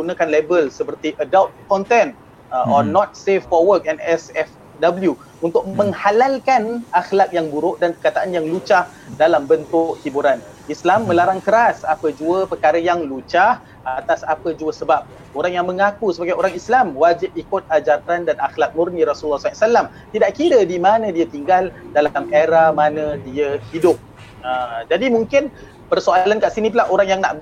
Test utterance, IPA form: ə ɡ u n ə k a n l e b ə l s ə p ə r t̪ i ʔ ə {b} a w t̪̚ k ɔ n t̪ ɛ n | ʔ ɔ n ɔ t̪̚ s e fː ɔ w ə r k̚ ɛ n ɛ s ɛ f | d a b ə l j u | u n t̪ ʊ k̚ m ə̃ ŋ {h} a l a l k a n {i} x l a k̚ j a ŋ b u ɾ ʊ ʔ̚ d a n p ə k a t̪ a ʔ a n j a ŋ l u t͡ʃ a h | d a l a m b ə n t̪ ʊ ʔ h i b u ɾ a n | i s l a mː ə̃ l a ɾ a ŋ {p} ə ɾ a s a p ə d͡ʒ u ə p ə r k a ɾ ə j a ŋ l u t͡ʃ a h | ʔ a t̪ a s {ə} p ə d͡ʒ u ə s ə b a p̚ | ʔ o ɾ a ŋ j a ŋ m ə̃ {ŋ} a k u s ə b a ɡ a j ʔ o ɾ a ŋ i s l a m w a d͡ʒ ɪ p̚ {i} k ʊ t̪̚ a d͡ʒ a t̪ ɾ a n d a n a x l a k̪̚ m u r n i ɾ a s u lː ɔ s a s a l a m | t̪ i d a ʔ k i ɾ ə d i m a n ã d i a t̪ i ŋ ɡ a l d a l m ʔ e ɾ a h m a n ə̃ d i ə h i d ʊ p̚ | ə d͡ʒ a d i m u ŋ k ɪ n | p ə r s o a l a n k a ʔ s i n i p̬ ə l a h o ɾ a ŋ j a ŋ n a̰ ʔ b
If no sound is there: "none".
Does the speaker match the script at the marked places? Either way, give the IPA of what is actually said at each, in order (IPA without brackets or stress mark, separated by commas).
d, h, a, k, a, ŋ, i